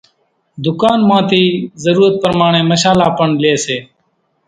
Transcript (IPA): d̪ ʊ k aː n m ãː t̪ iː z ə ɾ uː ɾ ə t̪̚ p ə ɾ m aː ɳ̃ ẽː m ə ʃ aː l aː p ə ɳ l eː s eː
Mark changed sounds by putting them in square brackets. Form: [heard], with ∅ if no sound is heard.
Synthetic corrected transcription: d̪ ʊ k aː n m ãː t̪ iː z ə ɾ uː ɾ ə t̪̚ p ə ɾ m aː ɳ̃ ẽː m ə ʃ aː l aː p ə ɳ l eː s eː